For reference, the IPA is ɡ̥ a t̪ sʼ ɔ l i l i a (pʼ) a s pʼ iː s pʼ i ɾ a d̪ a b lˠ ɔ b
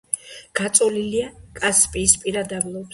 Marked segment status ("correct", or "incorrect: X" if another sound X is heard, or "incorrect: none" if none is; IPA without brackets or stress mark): incorrect: kʼ